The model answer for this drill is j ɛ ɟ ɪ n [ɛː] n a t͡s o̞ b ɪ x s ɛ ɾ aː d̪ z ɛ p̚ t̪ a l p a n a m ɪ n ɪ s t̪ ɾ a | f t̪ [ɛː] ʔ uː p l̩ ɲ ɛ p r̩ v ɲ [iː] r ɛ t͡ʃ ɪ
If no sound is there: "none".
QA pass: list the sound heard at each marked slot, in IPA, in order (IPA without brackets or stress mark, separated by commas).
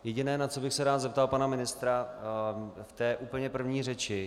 ɛː, ɛː, iː